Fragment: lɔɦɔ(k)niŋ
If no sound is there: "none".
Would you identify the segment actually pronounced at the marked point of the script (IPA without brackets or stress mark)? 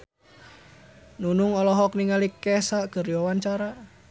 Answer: k